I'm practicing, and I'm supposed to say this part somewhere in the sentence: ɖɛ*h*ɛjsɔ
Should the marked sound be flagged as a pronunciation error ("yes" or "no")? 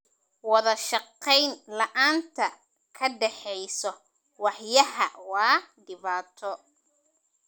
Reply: yes